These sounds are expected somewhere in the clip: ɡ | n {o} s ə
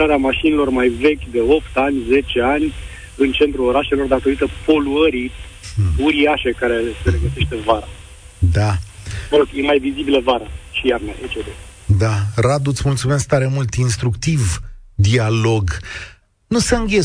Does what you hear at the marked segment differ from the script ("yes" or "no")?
yes